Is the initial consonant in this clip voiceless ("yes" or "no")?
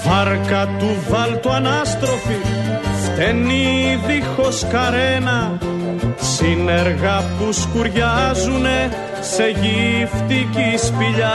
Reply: no